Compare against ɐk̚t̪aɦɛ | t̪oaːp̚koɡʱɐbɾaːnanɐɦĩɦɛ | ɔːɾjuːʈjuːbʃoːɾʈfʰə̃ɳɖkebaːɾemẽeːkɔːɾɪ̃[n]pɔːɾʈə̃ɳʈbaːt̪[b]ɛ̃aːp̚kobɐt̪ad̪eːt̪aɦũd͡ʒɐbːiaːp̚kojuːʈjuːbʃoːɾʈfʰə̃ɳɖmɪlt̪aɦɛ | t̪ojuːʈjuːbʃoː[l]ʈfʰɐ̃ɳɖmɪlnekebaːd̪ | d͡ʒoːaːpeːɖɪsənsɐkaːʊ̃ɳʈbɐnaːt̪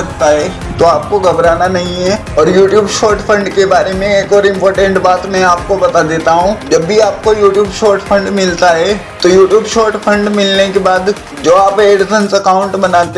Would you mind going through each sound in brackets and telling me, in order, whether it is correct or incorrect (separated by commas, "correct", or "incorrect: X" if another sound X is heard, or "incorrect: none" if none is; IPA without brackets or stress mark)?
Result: incorrect: m, incorrect: m, incorrect: ɾ